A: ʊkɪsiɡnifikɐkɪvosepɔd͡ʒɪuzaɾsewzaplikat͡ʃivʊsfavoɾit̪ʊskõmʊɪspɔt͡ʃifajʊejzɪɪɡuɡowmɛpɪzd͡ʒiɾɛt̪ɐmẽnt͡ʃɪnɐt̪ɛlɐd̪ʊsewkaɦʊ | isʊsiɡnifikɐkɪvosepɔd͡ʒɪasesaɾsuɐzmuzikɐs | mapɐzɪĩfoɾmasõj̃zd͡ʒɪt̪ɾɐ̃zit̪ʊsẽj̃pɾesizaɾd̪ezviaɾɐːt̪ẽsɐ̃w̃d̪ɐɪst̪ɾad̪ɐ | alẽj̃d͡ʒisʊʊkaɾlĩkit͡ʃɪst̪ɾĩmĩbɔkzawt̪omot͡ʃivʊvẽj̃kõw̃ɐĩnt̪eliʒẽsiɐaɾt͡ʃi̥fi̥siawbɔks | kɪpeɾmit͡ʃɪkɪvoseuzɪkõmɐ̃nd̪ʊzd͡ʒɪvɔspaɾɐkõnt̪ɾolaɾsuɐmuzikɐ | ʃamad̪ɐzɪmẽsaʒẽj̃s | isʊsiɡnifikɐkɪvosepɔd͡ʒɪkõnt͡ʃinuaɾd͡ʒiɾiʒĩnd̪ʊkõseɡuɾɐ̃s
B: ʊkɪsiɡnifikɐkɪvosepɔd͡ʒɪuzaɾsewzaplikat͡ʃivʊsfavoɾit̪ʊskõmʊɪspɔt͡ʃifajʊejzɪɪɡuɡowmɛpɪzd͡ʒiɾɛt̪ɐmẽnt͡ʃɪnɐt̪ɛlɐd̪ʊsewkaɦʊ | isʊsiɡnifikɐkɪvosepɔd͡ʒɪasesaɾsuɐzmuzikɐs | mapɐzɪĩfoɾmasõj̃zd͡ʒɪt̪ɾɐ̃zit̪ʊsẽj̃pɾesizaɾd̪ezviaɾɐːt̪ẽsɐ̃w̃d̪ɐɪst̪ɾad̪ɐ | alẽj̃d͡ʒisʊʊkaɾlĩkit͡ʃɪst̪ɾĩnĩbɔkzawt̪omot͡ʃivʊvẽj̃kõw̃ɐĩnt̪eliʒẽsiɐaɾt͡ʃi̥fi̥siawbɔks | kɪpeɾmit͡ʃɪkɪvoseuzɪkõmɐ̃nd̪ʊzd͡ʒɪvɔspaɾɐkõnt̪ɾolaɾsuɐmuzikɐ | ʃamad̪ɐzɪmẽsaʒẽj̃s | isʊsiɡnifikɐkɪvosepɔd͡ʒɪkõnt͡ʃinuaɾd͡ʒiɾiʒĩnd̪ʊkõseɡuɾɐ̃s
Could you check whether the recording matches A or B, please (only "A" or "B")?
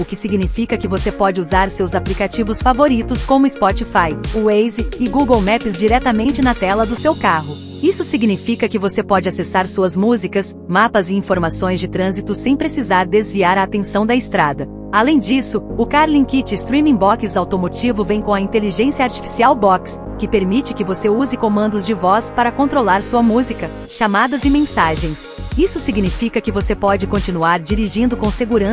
A